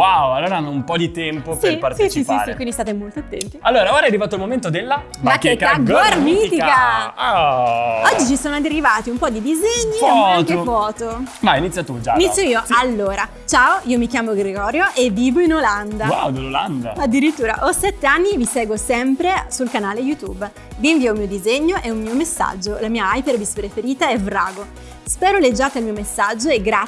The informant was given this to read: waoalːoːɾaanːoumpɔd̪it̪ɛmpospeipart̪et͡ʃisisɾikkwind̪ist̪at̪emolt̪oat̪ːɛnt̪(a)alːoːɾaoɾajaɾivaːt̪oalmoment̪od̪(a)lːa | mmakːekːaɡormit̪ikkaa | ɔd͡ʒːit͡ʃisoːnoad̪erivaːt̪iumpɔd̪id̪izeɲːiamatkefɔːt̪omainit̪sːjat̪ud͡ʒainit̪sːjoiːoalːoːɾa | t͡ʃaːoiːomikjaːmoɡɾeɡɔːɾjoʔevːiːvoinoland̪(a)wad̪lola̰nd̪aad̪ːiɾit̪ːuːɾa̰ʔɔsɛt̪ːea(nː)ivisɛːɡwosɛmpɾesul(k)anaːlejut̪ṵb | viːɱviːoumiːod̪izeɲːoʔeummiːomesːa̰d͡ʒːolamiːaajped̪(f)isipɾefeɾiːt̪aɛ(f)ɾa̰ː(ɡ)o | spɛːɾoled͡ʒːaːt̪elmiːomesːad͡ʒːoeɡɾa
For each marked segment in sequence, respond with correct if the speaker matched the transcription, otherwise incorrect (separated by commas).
incorrect, incorrect, correct, correct, correct, incorrect, incorrect, correct